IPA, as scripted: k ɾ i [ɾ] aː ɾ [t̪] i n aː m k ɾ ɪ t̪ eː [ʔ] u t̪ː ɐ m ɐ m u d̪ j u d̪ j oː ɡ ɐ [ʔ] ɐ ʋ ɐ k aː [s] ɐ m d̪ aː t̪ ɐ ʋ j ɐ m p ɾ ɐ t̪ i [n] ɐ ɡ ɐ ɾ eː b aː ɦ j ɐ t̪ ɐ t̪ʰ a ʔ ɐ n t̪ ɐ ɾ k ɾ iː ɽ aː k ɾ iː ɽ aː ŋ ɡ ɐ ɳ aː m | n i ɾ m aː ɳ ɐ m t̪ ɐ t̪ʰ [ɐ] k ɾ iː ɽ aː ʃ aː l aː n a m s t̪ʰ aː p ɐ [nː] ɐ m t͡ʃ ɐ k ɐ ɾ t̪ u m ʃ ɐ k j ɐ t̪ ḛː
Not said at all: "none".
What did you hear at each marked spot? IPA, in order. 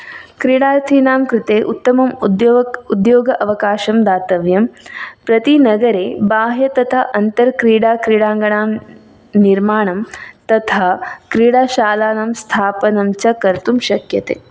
ɽ, t̪ʰ, ʔ, ʔ, ʃ, n, a, n

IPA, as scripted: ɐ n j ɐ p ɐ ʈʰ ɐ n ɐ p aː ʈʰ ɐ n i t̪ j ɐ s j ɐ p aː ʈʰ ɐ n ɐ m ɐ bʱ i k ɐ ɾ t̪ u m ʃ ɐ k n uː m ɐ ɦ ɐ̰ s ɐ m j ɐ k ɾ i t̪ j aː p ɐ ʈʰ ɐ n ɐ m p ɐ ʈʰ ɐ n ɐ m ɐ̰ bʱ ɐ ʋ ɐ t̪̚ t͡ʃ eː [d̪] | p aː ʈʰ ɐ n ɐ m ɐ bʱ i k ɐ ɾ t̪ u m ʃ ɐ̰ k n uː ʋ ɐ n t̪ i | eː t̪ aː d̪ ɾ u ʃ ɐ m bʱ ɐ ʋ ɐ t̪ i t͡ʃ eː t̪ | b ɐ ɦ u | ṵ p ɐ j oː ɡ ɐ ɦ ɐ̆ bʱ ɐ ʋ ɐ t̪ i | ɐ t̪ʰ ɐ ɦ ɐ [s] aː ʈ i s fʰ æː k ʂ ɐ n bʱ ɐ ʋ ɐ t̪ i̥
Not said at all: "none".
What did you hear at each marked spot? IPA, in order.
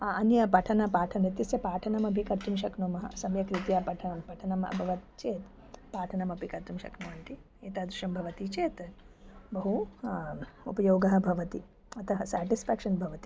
t̪, s

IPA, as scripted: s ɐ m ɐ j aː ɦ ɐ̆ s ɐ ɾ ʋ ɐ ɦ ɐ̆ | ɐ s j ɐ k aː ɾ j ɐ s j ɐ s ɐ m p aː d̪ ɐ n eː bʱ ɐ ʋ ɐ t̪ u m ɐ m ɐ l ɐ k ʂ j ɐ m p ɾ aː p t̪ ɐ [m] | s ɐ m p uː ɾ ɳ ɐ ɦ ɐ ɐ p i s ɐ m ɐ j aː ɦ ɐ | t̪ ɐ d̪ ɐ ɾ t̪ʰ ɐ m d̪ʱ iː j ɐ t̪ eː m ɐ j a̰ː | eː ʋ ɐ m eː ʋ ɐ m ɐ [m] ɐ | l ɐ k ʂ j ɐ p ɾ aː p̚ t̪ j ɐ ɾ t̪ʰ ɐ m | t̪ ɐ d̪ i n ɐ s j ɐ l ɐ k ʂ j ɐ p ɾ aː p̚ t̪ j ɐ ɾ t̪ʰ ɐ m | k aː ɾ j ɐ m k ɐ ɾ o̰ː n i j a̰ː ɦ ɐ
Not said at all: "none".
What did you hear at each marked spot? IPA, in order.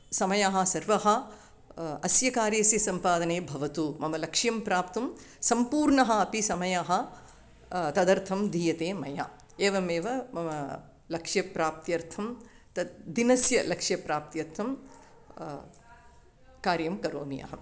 m, m

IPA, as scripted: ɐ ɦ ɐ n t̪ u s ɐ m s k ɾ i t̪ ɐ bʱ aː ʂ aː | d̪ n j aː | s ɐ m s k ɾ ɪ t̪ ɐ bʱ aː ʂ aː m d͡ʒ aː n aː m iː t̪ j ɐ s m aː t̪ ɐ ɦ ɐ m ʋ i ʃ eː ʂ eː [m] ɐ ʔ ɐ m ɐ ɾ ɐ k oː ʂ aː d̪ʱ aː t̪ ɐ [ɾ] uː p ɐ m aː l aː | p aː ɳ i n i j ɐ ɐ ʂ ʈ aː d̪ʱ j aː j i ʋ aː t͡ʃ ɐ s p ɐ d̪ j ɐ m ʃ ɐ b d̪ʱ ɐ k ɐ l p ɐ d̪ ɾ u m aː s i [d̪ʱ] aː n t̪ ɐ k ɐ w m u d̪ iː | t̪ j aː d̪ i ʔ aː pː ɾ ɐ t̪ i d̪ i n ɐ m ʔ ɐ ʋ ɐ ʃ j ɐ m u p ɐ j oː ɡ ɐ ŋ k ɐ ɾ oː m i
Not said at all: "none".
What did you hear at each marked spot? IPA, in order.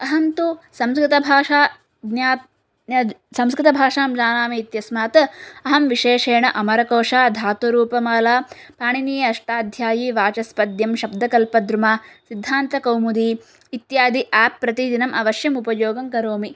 ɳ, ɾ, d̪ʱː

